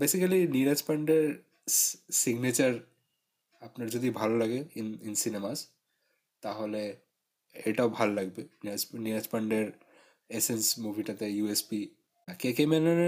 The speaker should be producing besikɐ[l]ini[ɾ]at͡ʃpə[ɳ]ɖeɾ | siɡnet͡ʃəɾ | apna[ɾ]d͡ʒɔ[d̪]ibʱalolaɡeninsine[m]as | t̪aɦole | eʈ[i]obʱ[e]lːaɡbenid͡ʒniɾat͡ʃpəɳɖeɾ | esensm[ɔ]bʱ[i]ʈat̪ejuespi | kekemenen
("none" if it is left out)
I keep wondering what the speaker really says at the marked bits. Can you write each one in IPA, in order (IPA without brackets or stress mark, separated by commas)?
l, ɾ, ɳ, ɾ, d̪, m, a, a, u, i